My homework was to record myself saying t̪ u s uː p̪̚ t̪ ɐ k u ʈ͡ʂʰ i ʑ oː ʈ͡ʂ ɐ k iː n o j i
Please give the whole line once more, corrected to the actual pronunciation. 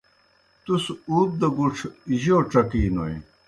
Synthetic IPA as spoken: t̪ u s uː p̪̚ d̪ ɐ ɡ u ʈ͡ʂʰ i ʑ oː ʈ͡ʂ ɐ k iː n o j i